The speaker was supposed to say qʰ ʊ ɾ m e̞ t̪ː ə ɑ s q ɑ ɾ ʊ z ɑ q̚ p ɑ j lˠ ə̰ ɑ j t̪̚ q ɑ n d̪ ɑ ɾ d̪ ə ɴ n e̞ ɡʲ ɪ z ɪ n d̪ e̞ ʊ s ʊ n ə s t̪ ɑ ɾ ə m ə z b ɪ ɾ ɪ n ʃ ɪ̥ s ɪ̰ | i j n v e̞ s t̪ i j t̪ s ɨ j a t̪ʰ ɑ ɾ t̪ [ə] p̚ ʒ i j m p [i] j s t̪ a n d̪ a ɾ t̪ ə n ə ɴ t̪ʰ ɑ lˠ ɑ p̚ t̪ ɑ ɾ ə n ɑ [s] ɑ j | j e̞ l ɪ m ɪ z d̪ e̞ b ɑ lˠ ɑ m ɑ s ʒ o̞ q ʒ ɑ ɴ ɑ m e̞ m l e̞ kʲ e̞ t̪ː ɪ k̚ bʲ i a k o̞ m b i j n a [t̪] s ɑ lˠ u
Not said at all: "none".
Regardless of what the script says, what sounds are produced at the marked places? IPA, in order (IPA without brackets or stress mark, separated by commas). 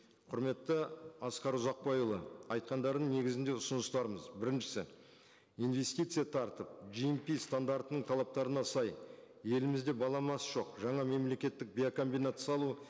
ə, i, s, t̪